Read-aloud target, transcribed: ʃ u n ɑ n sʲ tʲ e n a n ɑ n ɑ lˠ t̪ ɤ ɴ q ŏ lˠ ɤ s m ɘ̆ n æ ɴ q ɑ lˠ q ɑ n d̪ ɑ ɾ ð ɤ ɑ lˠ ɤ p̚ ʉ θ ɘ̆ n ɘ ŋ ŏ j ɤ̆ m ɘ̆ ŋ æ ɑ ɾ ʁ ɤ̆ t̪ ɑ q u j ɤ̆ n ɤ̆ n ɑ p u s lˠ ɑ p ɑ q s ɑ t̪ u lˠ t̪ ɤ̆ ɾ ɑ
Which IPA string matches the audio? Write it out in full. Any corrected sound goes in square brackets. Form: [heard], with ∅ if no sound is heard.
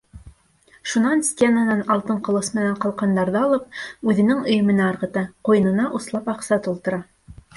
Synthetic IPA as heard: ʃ u n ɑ n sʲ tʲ e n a n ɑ n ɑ lˠ t̪ ɤ ɴ q ŏ lˠ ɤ s m ɘ̆ n æ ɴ q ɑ lˠ q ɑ n d̪ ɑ ɾ ð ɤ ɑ lˠ ɤ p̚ ʉ [ð] ɘ̆ n ɘ ŋ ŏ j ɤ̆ m ɘ̆ [n] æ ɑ ɾ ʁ ɤ̆ t̪ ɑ q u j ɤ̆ n ɤ̆ n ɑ [ʔ] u s lˠ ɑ p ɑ q s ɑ t̪ u lˠ t̪ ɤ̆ ɾ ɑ